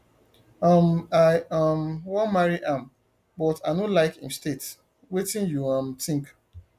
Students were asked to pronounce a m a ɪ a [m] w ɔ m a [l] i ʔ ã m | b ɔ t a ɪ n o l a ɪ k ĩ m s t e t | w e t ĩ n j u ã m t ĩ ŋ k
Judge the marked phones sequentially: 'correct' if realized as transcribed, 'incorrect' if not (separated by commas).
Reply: correct, incorrect